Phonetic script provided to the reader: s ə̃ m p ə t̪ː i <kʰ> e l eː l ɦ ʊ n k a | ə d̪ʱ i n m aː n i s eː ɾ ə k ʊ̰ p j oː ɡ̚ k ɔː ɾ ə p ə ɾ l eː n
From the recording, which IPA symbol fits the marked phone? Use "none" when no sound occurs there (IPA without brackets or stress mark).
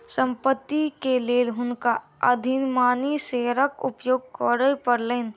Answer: k